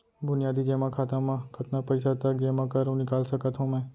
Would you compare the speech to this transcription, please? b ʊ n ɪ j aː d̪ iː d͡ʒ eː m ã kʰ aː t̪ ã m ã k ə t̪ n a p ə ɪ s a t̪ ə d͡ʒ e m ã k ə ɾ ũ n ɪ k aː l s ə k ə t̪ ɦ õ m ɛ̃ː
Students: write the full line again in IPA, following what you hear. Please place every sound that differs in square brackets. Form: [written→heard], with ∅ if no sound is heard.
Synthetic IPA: b ʊ n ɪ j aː d̪ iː d͡ʒ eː m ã kʰ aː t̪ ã m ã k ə t̪ n a p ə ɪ s a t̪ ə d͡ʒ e m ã k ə ɾ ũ n ɪ k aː l s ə k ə t̪ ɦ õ m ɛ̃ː

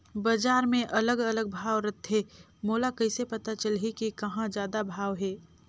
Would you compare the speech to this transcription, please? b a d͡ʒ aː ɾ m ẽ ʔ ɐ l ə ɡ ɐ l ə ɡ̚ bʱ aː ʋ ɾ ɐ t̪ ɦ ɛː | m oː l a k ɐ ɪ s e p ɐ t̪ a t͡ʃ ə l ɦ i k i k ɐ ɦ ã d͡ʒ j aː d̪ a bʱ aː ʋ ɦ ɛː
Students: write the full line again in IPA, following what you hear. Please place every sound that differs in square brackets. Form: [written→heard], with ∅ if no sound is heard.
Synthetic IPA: b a d͡ʒ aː ɾ m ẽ ʔ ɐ l ə ɡ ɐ l ə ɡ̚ bʱ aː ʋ ɾ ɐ t̪ ɦ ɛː | m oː l a k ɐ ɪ s e p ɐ t̪ a t͡ʃ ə l ɦ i k i k ɐ ɦ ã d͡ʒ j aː d̪ a bʱ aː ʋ ɦ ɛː

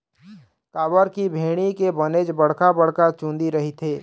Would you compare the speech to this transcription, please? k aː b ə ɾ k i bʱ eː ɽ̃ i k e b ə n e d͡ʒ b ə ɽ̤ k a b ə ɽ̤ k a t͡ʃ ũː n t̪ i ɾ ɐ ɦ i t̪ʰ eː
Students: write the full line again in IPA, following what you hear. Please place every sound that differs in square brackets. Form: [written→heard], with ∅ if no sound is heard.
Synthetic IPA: k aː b ə ɾ k i bʱ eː ɽ̃ i k e b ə n e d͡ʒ b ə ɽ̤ k a b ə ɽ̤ k a t͡ʃ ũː n [t̪→d̪] i ɾ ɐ ɦ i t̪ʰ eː

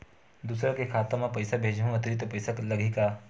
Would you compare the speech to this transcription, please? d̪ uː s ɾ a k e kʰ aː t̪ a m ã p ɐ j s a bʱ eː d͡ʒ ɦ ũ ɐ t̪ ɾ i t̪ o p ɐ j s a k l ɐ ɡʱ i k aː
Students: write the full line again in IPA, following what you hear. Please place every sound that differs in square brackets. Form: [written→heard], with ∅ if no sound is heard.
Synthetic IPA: d̪ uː s ɾ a k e kʰ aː t̪ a m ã p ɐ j s a bʱ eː d͡ʒ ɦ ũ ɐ t̪ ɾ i t̪ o p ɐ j s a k l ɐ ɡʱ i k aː

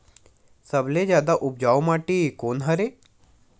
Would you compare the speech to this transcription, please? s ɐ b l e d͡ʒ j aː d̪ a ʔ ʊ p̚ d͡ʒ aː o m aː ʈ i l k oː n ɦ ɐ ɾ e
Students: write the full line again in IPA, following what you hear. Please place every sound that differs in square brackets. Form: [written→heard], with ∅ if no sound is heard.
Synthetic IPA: s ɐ b l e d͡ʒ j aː d̪ a ʔ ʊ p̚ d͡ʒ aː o m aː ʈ i [l→∅] k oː n ɦ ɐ ɾ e

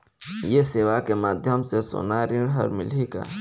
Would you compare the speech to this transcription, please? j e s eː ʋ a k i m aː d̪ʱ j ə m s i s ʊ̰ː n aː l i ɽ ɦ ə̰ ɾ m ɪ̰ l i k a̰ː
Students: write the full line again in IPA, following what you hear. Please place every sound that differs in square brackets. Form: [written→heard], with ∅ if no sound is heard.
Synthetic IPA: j e s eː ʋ a k [i→e] m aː d̪ʱ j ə m s [i→e] s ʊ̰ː n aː [l→ɾ] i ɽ ɦ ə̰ ɾ m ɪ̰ l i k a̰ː

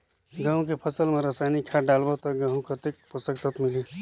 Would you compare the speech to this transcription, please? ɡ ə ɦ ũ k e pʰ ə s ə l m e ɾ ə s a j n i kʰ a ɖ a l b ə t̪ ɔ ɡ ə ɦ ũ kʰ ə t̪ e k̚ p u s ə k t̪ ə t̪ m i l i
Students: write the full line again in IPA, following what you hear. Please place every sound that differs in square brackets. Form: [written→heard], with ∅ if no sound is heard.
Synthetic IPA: ɡ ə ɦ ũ k e pʰ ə s ə l m e ɾ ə s a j n i kʰ a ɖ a l b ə t̪ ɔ ɡ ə ɦ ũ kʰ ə t̪ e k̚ p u s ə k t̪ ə t̪ m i l i

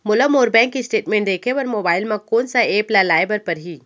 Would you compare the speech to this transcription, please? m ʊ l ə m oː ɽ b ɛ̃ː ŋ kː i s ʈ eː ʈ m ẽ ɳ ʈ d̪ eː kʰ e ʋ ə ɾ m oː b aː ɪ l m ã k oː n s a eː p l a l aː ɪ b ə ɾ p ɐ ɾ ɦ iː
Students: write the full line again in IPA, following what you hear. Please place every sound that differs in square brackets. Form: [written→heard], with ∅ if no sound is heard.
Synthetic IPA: m ʊ l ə m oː [ɽ→ɾ] b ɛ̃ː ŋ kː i s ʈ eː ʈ m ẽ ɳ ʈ d̪ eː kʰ e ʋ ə ɾ m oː b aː ɪ l m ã k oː n s a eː p l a l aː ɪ b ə ɾ p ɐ ɾ ɦ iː

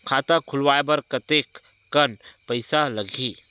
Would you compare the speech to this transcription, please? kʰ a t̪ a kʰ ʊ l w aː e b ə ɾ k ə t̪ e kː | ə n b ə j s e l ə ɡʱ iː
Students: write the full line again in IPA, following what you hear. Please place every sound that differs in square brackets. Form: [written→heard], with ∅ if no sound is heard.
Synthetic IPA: kʰ a t̪ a kʰ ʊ l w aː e b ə ɾ k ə t̪ e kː | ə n [b→p] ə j s [e→a] l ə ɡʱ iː

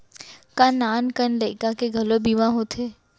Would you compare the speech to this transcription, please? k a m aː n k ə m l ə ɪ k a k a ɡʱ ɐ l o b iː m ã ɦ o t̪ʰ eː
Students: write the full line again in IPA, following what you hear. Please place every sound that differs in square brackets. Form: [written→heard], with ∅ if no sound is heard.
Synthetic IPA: k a [m→n] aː n k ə [m→n] l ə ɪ k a k [a→e] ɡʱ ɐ l o b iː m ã ɦ o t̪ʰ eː

